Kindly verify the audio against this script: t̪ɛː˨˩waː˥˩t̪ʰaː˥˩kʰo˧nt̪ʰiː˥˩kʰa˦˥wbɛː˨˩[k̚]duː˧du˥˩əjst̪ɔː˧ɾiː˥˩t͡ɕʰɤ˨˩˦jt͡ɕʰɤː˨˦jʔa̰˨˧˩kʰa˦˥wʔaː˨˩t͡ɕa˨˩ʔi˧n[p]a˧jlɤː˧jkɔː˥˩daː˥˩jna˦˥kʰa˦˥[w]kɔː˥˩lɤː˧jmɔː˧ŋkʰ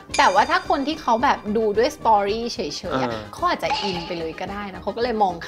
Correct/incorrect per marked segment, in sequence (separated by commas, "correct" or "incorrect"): incorrect, correct, correct